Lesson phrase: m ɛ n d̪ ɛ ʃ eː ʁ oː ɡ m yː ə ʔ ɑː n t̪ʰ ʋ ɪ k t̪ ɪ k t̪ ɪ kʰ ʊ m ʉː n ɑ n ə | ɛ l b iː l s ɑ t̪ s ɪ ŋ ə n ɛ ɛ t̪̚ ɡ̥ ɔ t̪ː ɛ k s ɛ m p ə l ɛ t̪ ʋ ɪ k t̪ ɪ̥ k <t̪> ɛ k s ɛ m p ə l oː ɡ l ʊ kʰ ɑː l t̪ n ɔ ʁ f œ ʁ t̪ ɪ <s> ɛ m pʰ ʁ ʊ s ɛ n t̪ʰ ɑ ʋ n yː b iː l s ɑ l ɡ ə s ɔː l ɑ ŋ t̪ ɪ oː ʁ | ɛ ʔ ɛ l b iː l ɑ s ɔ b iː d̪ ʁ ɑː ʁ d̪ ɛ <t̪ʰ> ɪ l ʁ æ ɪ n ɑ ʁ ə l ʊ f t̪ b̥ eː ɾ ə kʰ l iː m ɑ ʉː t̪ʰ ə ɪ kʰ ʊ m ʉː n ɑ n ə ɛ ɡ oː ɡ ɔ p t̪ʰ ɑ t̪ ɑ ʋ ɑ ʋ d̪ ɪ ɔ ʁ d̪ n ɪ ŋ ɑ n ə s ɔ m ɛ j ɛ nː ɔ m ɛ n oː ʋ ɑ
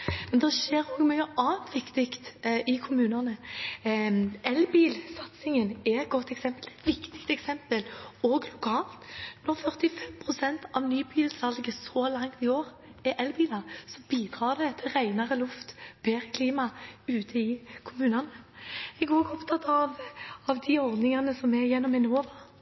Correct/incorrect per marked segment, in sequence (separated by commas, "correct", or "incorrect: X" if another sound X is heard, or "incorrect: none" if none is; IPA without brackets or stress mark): correct, incorrect: f, correct